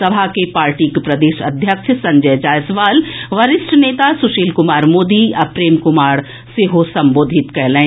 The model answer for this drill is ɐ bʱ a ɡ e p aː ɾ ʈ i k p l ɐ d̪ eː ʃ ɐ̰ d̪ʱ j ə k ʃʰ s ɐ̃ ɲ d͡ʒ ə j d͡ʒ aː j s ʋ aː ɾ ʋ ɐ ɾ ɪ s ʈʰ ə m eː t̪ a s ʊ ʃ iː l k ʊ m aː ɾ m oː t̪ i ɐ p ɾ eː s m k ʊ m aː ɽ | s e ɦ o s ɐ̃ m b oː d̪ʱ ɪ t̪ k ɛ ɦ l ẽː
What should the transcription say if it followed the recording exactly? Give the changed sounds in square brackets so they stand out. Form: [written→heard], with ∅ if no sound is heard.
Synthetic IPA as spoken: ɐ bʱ a [ɡ→k] e p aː ɾ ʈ i k p [l→ɾ] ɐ d̪ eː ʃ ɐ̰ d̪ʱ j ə k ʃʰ s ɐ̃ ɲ d͡ʒ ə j d͡ʒ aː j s ʋ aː [ɾ→l] ʋ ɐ ɾ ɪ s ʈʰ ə [m→n] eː t̪ a s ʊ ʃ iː l k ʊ m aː ɾ m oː [t̪→d̪] i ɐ p ɾ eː [s→∅] m k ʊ m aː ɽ | s e ɦ o s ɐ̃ m b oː d̪ʱ ɪ t̪ k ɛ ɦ l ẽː